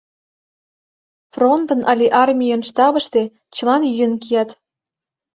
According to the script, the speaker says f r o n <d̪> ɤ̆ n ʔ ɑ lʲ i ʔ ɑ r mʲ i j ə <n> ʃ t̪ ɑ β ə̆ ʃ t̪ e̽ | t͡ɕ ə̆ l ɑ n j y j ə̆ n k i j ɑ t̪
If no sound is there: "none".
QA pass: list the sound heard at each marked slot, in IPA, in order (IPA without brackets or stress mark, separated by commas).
t̪, n